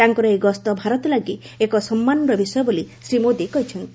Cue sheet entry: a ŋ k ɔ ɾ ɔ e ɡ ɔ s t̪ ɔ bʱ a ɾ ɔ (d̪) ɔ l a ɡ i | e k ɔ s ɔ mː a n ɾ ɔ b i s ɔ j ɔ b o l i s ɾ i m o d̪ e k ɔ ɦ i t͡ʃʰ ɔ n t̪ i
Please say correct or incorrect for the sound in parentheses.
incorrect